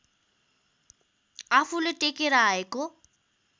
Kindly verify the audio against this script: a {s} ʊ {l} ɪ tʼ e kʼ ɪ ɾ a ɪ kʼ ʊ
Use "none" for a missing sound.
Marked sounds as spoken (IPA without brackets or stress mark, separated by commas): f, l